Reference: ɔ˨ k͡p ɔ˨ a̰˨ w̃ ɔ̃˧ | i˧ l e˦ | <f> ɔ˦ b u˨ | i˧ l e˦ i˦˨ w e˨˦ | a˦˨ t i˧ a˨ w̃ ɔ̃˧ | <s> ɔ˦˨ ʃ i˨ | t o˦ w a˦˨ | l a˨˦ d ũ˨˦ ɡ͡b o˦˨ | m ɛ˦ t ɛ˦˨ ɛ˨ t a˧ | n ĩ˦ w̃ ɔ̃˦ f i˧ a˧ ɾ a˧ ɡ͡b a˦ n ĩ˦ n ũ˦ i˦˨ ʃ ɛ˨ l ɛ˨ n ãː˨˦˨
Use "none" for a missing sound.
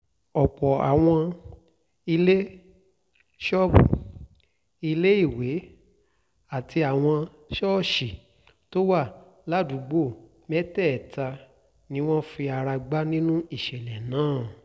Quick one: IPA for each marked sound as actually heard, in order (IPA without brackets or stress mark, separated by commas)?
ʃ, ʃ